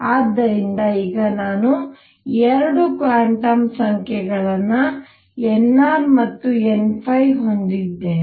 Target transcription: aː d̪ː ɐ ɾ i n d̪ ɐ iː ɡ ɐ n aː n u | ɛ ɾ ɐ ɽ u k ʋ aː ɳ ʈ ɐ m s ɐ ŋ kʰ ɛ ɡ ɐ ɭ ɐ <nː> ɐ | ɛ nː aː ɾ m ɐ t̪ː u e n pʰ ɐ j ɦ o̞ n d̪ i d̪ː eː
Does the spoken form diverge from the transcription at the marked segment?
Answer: no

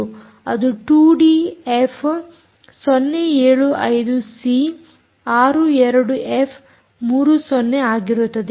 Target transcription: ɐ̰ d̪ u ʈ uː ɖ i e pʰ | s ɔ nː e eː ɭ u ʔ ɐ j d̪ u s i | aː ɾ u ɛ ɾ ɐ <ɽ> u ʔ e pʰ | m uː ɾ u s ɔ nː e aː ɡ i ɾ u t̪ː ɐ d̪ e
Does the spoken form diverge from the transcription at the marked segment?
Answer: no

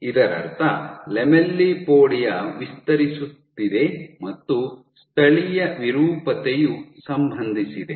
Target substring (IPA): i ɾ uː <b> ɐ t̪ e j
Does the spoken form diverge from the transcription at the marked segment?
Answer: yes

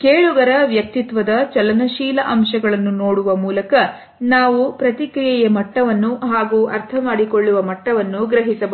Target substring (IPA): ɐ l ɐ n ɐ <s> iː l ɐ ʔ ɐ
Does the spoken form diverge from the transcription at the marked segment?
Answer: yes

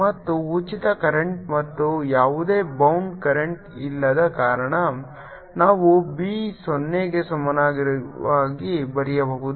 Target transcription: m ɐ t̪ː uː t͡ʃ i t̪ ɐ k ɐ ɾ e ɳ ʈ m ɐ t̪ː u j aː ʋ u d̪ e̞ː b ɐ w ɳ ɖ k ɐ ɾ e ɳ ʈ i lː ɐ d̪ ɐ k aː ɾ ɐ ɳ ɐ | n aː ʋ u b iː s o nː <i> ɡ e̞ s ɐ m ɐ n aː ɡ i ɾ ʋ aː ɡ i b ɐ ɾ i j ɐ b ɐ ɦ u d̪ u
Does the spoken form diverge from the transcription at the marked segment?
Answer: yes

